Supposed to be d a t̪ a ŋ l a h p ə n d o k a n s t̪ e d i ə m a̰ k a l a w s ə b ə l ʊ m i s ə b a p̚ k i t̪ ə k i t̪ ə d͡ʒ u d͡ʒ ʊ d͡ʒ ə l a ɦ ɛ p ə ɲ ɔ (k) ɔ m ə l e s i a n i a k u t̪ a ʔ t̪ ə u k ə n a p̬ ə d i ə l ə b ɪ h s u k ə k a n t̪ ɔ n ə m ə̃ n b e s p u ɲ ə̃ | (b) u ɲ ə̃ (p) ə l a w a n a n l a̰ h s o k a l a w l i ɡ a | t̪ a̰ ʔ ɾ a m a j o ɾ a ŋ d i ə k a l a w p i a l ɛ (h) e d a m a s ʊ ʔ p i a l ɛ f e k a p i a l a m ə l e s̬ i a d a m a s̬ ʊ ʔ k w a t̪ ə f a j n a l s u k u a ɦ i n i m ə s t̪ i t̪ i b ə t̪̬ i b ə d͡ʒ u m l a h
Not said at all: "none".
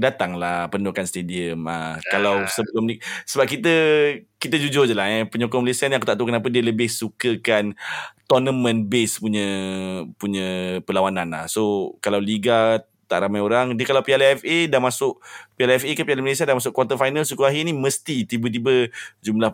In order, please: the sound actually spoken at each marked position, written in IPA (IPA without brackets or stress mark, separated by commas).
k, p, p, f